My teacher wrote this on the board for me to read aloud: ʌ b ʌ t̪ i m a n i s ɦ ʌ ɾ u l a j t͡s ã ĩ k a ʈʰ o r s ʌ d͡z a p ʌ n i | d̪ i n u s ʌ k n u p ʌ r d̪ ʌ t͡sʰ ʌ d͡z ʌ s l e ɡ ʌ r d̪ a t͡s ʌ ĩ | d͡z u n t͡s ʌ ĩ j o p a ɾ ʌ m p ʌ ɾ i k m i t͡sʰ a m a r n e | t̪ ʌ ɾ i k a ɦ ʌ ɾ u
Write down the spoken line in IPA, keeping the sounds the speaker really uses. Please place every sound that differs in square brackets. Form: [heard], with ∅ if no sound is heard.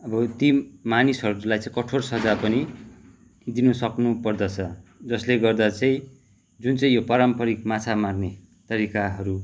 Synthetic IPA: ʌ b ʌ t̪ i m a n i s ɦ ʌ ɾ u l a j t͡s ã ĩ k [ʌ] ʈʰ o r s ʌ d͡z a p ʌ n i | d̪ i n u s ʌ k n u p ʌ r d̪ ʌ t͡sʰ ʌ d͡z ʌ s l e ɡ ʌ r d̪ a t͡s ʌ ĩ | d͡z u n t͡s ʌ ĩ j o p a ɾ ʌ m p ʌ ɾ i k m [a] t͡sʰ a m a r n e | t̪ ʌ ɾ i k a ɦ ʌ ɾ u